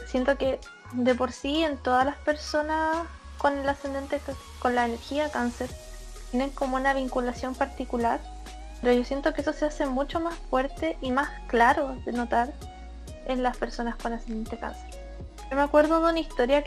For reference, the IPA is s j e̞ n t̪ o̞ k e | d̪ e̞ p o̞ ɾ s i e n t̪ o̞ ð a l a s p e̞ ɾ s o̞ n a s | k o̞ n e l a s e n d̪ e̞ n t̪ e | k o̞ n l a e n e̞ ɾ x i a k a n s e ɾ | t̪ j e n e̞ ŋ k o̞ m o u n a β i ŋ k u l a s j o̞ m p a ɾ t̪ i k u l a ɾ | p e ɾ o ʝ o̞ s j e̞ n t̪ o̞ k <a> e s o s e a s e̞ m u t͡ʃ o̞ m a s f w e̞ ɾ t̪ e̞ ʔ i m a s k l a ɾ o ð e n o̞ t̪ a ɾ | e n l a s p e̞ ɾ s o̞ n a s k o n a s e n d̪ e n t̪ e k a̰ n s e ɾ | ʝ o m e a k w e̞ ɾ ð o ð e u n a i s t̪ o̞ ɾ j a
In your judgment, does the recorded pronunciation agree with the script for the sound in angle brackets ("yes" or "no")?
no